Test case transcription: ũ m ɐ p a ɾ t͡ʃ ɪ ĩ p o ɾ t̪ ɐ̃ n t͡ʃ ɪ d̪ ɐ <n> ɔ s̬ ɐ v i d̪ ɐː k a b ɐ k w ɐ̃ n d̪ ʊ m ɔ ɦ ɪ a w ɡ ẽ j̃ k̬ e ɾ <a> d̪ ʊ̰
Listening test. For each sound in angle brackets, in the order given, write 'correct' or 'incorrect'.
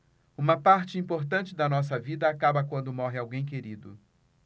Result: correct, incorrect

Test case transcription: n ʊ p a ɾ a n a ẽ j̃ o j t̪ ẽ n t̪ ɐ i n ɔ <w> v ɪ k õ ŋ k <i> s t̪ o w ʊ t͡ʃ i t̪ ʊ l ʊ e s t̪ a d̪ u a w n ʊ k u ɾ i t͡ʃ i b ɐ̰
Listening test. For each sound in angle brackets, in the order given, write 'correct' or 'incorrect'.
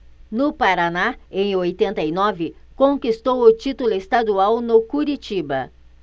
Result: incorrect, correct

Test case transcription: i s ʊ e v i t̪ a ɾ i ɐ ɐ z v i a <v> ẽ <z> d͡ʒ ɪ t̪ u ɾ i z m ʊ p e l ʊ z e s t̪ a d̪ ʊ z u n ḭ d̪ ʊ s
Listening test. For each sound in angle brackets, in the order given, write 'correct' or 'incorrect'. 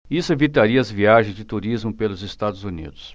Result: incorrect, correct

